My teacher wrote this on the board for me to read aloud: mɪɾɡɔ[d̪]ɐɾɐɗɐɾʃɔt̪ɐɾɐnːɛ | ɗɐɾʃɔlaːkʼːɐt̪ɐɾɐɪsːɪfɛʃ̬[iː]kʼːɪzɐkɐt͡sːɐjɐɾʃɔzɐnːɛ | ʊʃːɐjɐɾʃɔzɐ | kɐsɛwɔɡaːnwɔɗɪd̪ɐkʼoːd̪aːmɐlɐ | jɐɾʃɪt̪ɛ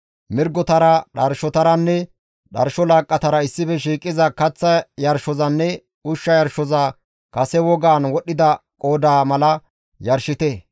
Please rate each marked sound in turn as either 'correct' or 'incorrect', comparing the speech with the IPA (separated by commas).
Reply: incorrect, correct